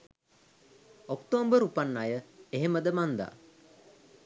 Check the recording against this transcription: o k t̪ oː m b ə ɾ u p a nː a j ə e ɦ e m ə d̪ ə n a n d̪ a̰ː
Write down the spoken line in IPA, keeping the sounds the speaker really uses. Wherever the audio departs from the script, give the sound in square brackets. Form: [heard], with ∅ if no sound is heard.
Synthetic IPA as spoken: o k t̪ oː m b ə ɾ u p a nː a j ə e ɦ e m ə d̪ ə [m] a n d̪ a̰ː